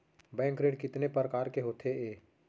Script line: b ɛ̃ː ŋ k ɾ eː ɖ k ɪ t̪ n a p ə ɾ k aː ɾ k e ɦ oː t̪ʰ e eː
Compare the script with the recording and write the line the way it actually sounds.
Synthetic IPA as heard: b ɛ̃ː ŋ k ɾ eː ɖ k ɪ t̪ n e p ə ɾ k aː ɾ k e ɦ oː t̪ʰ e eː